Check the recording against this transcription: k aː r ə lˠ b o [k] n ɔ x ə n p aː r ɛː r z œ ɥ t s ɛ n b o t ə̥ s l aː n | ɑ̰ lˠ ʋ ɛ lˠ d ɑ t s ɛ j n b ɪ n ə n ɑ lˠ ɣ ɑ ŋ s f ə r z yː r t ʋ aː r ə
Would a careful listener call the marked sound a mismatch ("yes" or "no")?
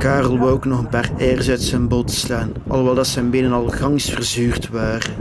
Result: no